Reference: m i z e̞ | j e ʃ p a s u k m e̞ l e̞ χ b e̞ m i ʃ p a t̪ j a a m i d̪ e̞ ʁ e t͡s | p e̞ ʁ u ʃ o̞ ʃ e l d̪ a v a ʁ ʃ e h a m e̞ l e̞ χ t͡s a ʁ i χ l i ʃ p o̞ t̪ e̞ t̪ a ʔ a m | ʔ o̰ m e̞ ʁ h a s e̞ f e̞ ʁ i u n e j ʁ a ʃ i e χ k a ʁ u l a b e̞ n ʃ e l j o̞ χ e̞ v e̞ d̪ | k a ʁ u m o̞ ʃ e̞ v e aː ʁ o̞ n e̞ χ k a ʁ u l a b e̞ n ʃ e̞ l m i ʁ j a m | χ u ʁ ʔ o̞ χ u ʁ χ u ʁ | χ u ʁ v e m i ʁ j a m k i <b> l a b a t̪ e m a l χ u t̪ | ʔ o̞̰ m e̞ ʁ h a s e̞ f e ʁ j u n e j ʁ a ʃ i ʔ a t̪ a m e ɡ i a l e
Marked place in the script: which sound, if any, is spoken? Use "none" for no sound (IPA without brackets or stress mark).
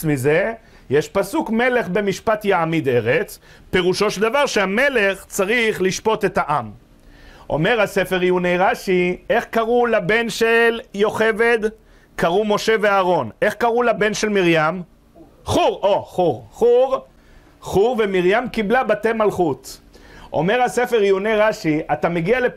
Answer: b